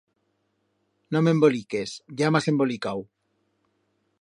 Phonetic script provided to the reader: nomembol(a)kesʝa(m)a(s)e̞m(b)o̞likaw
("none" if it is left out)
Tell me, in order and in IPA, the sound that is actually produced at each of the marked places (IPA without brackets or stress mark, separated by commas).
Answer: i, m, s, b